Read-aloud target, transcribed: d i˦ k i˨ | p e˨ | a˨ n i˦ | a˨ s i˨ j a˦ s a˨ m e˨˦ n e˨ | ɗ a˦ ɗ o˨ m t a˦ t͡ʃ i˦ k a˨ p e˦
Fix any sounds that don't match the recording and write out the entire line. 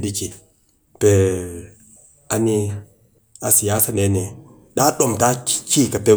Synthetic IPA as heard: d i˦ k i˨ | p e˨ | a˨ n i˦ | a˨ s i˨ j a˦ s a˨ n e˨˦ n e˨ | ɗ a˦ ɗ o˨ m t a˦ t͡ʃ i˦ k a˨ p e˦